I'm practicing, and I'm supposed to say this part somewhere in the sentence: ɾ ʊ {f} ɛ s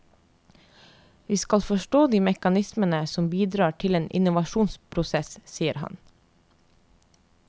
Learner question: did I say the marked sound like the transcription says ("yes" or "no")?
no